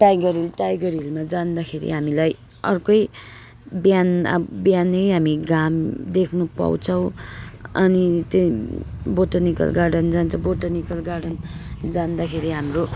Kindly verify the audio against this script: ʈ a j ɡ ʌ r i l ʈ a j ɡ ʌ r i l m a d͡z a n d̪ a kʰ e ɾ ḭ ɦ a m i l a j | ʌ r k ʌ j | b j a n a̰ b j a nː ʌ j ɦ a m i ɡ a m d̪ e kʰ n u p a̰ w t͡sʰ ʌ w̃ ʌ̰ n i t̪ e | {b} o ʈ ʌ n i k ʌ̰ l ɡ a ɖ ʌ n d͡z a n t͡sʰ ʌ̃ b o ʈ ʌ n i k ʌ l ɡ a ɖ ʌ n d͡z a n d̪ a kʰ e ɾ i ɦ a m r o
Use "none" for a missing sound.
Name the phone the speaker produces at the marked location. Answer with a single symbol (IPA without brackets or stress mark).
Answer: b